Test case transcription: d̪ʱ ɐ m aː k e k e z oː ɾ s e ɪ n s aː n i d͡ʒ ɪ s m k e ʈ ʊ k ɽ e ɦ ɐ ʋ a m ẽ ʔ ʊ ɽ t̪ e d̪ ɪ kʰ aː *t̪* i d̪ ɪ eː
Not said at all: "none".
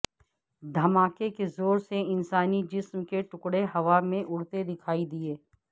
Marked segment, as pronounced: none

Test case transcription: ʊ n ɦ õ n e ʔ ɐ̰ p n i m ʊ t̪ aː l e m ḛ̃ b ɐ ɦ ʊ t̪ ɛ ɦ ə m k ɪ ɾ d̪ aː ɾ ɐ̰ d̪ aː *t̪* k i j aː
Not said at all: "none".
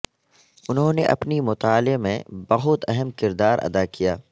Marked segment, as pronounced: none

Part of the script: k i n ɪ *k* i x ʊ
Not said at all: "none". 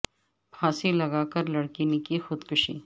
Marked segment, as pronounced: k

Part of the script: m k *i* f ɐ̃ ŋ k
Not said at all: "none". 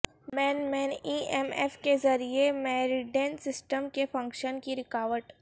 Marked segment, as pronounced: e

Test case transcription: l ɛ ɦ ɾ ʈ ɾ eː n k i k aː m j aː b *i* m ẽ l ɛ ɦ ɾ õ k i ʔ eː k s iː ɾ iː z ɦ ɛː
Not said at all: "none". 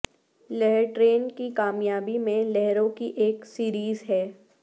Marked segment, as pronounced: i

